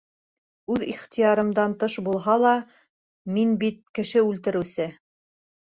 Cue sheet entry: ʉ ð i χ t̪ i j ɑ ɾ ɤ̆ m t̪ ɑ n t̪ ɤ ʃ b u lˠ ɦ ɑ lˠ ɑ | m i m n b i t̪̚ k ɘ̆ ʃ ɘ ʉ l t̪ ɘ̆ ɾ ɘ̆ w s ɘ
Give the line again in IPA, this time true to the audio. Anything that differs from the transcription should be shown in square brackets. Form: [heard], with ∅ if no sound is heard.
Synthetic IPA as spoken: ʉ ð i χ t̪ i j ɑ ɾ ɤ̆ m [d̪] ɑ n t̪ ɤ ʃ b u lˠ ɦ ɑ lˠ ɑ | m i [∅] n b i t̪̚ k ɘ̆ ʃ ɘ ʉ l t̪ ɘ̆ ɾ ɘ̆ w s ɘ